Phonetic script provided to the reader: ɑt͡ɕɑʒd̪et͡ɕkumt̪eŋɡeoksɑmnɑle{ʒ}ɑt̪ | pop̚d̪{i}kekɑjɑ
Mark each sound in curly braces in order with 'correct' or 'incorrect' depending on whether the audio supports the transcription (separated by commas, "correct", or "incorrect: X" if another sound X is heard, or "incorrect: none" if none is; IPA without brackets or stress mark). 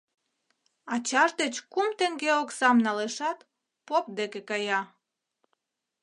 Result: incorrect: ʃ, incorrect: e